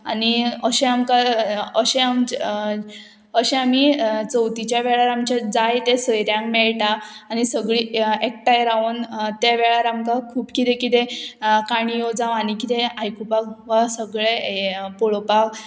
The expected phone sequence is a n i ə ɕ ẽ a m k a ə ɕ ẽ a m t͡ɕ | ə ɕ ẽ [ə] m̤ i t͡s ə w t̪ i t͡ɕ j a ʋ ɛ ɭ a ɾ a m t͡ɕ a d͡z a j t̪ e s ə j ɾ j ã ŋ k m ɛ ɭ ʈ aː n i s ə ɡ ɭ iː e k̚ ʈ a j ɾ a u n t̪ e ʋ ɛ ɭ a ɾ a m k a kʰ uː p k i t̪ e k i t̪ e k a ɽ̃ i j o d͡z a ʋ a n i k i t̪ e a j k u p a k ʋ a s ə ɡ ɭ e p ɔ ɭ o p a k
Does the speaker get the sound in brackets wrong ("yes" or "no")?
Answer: yes